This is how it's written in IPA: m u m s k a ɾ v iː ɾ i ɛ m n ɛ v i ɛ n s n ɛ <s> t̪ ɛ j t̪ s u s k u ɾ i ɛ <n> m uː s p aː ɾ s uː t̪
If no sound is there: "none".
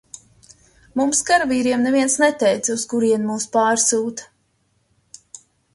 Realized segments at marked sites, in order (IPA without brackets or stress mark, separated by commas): none, n